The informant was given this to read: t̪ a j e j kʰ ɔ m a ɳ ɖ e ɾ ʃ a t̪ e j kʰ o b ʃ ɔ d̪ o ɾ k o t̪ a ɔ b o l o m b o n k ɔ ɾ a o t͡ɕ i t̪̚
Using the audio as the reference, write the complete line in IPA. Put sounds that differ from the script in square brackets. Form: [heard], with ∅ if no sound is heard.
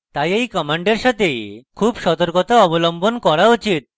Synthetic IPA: t̪ a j e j [k] ɔ m a ɳ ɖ e ɾ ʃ a t̪ e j kʰ [u] b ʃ ɔ [t̪] o ɾ k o t̪ a ɔ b o l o m b o n k ɔ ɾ a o t͡ɕ i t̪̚